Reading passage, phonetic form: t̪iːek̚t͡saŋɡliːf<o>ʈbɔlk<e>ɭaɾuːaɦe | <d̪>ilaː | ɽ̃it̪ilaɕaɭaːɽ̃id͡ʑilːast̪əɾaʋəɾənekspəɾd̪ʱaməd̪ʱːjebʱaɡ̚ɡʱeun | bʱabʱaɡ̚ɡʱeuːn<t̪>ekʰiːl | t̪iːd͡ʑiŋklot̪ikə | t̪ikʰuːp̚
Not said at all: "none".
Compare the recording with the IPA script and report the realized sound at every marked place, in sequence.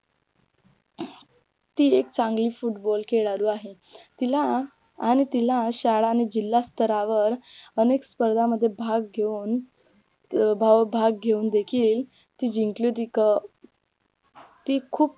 u, e, t̪, d̪

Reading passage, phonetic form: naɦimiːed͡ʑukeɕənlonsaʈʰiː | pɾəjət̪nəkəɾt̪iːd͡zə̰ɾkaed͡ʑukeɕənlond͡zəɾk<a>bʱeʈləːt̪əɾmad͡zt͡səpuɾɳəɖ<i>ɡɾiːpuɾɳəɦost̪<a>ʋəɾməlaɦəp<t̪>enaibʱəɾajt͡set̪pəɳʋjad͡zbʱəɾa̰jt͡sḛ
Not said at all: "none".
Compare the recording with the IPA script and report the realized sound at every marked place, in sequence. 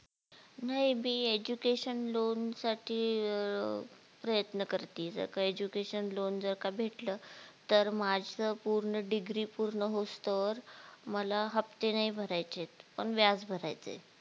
a, i, ə, t̪

